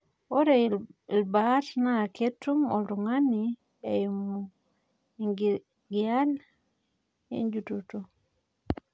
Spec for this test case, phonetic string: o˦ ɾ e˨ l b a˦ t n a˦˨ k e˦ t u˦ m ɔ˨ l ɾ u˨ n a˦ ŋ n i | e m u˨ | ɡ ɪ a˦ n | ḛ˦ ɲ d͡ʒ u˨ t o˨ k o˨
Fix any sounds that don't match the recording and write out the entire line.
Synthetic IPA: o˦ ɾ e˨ l b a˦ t n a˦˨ k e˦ t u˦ m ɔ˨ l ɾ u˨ ŋ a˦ n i | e m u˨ | ɡ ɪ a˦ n | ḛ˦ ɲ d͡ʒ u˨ t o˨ t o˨